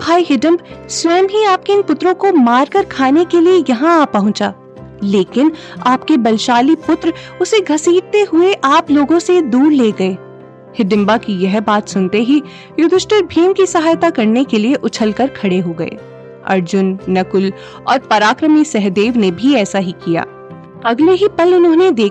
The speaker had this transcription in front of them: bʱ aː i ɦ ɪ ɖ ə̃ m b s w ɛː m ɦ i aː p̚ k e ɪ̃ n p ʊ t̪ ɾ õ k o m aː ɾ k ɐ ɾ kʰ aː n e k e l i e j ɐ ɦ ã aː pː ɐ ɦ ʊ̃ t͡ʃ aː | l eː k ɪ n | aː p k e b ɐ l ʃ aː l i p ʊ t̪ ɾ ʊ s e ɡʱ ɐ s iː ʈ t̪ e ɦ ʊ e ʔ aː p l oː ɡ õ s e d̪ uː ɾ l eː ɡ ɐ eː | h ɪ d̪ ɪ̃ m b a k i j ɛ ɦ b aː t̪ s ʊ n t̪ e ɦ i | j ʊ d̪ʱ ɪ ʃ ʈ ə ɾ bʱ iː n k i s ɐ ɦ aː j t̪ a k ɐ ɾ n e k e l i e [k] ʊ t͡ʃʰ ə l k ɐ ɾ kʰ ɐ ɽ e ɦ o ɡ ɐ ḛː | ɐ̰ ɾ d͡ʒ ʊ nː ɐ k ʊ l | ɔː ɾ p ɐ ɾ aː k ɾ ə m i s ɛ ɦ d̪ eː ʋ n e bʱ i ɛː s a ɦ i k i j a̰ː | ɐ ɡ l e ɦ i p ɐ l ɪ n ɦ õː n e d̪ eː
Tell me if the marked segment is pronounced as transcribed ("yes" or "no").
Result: no